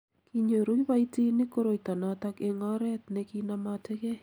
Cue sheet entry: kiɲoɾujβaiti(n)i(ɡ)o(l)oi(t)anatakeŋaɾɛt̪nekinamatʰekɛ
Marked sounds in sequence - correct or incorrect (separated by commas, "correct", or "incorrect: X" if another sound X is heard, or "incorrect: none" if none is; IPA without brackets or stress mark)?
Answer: correct, incorrect: k, incorrect: ɾ, correct